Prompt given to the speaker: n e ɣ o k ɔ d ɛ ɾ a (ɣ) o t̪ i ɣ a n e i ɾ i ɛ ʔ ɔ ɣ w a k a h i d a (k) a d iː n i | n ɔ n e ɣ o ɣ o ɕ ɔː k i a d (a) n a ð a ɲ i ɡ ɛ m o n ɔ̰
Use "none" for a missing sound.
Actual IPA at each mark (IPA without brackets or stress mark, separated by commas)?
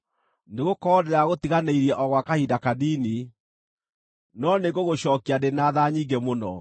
ɣ, k, e